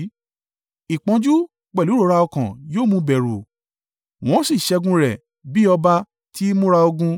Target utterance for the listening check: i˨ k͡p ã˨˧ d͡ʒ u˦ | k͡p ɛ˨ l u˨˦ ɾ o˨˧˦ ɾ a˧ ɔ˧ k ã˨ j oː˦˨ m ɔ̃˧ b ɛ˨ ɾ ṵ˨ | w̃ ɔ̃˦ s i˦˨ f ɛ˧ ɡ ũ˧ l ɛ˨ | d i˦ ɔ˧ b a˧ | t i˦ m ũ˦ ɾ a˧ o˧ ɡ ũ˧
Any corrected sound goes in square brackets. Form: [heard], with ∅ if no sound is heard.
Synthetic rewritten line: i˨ k͡p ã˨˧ d͡ʒ u˦ | k͡p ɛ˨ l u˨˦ ɾ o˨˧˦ ɾ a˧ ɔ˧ k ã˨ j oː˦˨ m [ũ˧] b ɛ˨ ɾ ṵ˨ | w̃ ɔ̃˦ s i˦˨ [ʃ] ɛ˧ ɡ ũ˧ [ɾ] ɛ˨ | [b] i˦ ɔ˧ b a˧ | t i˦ m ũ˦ ɾ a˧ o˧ ɡ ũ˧